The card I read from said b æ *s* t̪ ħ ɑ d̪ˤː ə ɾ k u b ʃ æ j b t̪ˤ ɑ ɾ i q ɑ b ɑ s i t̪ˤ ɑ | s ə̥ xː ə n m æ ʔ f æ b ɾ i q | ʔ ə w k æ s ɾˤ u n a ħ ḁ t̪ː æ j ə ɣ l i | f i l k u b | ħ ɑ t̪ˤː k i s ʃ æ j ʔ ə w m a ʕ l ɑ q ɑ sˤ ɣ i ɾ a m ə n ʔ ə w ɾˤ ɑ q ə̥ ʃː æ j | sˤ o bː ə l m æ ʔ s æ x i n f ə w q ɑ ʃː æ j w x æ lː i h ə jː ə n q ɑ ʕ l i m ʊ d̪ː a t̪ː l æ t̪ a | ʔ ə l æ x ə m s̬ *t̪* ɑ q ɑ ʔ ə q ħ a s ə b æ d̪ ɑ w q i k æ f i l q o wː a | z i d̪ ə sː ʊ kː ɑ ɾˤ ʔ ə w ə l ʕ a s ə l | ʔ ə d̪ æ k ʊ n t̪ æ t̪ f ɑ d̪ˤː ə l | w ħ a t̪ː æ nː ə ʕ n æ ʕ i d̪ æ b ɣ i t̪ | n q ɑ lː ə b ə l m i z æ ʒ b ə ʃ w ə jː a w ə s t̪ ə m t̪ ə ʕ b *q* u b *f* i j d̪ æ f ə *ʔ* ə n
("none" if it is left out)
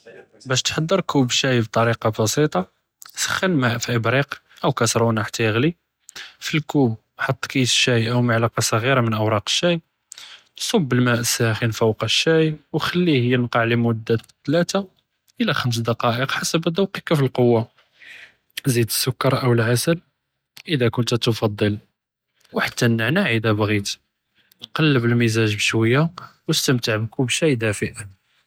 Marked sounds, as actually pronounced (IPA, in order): ʃ, d̪, k, ʃ, ʔ

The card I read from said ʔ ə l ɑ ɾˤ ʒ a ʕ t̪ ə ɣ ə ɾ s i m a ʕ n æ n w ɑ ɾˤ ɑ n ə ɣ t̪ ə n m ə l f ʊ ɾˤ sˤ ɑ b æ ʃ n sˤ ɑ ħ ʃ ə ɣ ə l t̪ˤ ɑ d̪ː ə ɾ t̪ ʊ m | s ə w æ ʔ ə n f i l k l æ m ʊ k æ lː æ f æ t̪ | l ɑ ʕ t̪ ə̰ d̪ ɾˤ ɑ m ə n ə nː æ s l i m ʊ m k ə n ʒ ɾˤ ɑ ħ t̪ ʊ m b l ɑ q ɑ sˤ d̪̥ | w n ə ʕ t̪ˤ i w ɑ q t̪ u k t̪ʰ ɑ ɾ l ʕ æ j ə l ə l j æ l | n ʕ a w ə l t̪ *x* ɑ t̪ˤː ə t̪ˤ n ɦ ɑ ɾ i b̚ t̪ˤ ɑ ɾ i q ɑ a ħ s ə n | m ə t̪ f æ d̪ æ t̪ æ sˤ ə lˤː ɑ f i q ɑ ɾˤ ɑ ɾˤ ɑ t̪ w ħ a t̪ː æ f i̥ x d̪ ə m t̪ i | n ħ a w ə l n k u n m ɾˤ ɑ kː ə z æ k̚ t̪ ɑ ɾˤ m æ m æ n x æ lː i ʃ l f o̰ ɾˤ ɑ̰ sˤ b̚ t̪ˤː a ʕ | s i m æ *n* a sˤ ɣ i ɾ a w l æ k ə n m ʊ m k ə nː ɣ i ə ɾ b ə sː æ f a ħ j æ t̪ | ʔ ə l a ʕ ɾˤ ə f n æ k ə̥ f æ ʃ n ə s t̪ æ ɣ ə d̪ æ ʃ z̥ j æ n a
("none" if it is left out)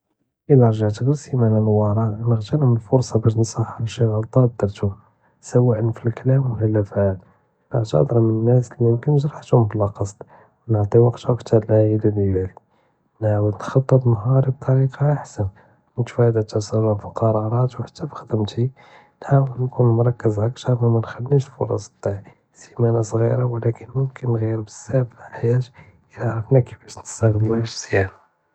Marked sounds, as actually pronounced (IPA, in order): x, n

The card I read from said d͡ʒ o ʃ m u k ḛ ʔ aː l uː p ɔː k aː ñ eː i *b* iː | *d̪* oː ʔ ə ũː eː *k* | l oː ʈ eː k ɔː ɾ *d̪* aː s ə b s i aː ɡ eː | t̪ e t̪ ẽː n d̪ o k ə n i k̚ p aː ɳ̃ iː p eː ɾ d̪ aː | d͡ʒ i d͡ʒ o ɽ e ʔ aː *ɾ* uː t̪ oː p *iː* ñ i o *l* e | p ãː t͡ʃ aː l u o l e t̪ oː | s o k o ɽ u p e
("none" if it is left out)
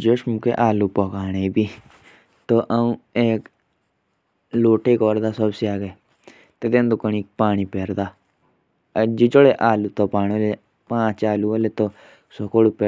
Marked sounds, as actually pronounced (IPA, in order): b, t̪, k, d̪, l, aː, l

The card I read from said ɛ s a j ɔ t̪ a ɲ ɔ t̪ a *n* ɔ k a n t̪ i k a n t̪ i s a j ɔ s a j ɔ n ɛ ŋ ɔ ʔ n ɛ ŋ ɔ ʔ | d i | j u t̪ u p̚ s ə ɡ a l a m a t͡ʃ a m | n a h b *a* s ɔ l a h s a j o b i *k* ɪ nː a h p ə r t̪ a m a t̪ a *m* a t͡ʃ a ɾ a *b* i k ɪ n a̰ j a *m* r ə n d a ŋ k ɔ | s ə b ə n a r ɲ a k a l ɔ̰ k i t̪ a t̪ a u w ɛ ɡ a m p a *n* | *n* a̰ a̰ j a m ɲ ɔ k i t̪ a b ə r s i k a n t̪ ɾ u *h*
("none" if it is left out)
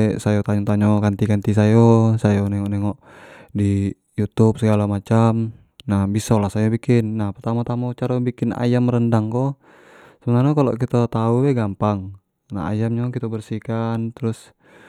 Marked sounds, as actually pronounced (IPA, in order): ɲ, i, k, m, b, m, ŋ, n, s

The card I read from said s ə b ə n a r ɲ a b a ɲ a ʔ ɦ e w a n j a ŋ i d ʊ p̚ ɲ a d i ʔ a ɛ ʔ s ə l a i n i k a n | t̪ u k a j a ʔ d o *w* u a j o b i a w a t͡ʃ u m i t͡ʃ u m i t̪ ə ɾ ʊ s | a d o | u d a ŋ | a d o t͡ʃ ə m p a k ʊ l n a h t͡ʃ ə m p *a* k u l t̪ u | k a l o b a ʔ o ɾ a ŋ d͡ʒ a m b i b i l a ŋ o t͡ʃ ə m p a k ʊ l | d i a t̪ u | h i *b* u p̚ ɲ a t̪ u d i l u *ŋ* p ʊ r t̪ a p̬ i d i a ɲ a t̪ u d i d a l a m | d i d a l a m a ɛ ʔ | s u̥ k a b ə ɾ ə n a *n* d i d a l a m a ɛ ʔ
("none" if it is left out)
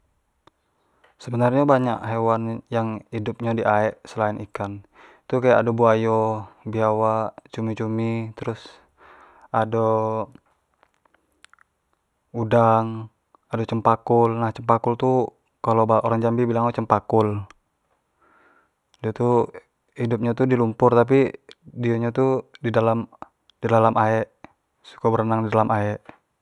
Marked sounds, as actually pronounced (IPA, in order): b, a, d, m, ŋ

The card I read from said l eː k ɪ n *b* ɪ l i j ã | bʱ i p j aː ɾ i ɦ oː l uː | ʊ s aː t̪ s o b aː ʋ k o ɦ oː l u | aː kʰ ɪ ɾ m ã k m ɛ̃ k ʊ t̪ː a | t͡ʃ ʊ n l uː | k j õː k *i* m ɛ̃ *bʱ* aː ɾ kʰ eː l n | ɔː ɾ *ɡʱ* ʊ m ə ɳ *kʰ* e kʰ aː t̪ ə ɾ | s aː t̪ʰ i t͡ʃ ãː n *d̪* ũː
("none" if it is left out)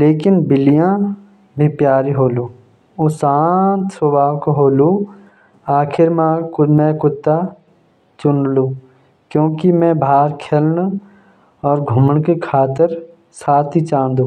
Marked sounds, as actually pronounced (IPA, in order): b, i, bʱ, ɡʱ, k, d̪

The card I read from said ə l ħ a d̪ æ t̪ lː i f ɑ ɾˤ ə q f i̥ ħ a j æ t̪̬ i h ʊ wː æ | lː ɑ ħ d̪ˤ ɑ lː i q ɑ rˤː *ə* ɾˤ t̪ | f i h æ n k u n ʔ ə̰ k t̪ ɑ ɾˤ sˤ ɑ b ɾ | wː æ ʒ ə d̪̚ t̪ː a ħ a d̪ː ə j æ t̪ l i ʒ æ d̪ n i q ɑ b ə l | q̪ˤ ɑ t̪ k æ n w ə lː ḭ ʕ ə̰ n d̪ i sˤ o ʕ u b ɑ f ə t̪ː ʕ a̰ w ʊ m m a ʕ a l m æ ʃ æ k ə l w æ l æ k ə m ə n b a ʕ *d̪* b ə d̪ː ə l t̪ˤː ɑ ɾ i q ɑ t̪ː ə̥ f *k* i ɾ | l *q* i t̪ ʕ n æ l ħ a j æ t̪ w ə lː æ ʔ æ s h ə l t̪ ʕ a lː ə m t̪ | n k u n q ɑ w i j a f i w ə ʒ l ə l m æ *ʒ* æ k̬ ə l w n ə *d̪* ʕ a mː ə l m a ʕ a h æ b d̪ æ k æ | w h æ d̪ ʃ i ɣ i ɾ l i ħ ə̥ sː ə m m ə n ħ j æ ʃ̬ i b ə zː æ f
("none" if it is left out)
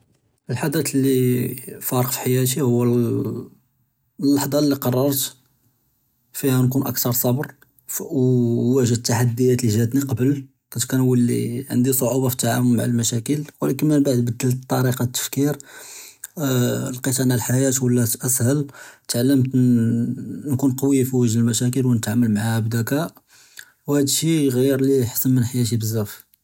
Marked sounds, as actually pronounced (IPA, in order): ɑ, d̪, k, q, ʃ, t̪

